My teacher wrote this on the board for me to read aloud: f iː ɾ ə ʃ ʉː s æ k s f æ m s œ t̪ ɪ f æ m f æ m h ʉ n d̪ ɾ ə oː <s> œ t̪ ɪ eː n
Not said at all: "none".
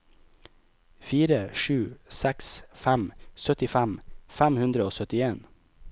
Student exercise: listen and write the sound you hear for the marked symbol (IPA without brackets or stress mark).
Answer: s